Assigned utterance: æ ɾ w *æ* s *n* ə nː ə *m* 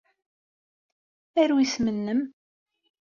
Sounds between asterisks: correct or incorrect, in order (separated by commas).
incorrect, incorrect, correct